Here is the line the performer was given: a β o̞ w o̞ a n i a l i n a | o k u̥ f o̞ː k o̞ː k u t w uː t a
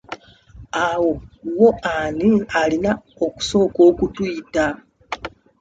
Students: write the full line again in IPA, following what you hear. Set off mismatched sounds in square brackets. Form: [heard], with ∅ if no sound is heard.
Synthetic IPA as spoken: a [w] o̞ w o̞ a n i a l i n a | o k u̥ [s] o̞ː k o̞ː k u t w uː t a